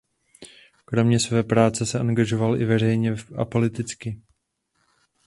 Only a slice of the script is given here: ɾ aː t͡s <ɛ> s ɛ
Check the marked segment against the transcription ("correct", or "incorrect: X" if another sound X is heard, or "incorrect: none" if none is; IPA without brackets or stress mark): correct